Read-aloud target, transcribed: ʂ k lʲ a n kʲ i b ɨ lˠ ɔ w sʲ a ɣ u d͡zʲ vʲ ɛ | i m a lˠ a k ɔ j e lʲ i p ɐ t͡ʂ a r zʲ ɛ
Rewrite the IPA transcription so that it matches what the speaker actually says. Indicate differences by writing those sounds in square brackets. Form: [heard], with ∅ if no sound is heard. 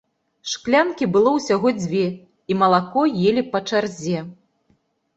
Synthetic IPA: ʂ k lʲ a n kʲ i b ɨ lˠ ɔ w sʲ a ɣ [ɔ] d͡zʲ vʲ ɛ | i m [ɐ] lˠ a k ɔ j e lʲ i p ɐ t͡ʂ a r zʲ ɛ